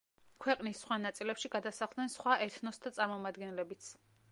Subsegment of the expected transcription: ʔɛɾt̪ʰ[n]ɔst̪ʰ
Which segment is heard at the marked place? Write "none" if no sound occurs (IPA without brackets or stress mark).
n